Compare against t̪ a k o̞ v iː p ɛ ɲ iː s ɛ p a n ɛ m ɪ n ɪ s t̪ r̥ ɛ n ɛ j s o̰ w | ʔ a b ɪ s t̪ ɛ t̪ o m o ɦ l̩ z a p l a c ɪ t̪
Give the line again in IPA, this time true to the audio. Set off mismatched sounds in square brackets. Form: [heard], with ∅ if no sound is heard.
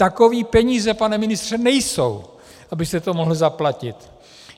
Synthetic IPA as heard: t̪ a k o̞ v iː p ɛ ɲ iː [z] ɛ p a n ɛ m ɪ n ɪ s t̪ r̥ ɛ n ɛ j s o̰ w | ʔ a b ɪ s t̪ ɛ t̪ o m o ɦ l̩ z a p l a c ɪ t̪